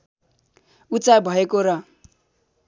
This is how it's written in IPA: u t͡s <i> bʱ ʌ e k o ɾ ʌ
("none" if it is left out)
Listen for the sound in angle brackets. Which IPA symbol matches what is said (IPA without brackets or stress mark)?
a